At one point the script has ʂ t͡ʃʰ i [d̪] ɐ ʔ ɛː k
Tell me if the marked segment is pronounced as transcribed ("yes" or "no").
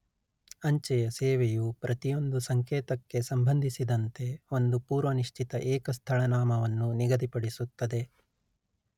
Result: no